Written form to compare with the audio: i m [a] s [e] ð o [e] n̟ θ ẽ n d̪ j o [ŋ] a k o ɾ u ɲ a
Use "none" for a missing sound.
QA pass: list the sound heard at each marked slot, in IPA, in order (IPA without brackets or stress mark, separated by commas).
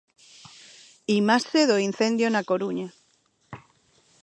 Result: a, e, i, n